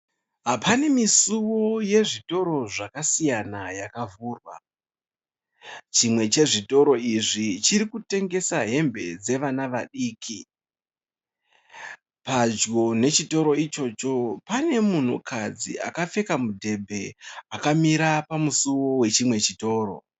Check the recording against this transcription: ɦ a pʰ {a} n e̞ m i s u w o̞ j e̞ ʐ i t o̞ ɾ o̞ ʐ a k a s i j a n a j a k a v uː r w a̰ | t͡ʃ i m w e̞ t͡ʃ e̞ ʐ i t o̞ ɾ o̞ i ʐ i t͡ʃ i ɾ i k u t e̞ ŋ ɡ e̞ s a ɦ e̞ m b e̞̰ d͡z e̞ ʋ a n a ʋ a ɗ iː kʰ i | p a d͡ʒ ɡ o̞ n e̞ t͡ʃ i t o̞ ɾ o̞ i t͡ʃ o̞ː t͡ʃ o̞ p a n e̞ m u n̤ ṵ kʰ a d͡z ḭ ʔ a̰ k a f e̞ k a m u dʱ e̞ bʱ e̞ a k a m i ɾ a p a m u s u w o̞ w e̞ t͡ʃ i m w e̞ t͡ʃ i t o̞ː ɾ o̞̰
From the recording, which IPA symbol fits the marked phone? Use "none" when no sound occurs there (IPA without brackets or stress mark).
a